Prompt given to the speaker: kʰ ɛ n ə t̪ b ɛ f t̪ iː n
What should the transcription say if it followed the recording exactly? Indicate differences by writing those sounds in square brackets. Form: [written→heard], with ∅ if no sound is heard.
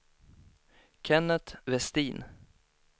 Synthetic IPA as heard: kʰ ɛ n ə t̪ [b→v] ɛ [f→s] t̪ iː n